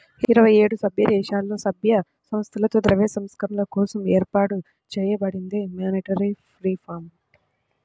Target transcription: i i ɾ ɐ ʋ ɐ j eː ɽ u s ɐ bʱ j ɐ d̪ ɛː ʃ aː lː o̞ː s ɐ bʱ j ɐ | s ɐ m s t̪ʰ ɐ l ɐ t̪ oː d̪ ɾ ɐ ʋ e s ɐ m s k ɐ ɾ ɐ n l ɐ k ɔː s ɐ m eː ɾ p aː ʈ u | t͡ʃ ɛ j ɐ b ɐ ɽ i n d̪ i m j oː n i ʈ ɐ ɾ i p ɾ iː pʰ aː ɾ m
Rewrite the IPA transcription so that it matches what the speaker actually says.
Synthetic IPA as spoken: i i ɾ ɐ ʋ ɐ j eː ɽ u s ɐ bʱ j ɐ d̪ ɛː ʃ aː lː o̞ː s ɐ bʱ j ɐ | s ɐ m s t̪ʰ ɐ l ɐ t̪ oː d̪ ɾ ɐ ʋ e s ɐ m s k ɐ ɾ ɐ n l ɐ k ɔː s ɐ m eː ɾ p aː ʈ u | t͡ʃ ɛː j ɐ b ɐ ɽ i n d̪ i m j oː n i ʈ ɐ ɾ i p ɾ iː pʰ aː ɾ m